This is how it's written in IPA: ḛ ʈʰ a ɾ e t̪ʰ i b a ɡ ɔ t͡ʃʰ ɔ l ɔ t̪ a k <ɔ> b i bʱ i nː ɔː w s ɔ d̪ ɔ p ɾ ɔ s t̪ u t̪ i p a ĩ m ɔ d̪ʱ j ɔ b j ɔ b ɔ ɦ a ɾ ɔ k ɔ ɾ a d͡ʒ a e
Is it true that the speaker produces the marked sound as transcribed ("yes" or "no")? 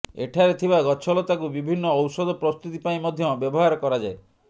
no